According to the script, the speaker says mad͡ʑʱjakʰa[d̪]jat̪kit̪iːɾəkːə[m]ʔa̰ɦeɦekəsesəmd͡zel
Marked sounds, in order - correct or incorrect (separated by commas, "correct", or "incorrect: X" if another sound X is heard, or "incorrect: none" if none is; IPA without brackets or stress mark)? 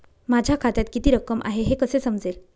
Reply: incorrect: t̪, correct